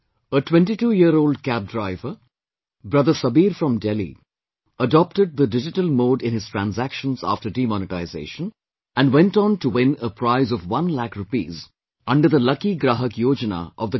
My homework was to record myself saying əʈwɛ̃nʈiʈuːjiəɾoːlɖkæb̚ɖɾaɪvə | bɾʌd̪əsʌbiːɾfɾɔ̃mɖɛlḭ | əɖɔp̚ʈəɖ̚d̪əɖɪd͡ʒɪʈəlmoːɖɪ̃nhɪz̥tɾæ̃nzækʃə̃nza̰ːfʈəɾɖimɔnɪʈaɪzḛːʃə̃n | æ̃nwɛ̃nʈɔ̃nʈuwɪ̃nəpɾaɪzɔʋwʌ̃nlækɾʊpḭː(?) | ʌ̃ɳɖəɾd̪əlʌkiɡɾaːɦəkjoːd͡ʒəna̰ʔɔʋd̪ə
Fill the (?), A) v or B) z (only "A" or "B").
B